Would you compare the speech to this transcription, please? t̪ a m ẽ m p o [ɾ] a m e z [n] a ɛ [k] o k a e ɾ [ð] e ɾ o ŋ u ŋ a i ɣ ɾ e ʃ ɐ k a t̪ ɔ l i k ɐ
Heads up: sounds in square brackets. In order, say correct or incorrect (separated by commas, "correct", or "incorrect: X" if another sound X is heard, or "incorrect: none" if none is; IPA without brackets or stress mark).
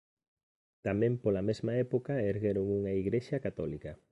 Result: incorrect: l, incorrect: m, incorrect: p, incorrect: ɣ